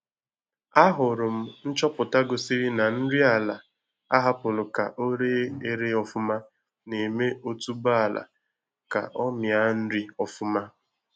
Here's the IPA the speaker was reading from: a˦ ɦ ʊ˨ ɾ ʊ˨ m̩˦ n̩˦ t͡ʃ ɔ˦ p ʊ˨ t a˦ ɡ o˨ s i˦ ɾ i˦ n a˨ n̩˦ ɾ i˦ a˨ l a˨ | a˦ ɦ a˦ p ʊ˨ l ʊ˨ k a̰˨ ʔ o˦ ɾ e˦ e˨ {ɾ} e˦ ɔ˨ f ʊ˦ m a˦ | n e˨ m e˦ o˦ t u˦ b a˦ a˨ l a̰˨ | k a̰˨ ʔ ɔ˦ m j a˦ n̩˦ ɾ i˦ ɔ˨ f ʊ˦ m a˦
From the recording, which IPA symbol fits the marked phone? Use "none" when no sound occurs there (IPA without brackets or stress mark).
ɾ